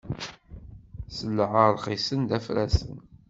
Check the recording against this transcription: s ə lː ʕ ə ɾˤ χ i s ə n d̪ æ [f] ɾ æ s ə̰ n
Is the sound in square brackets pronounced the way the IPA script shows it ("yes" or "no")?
yes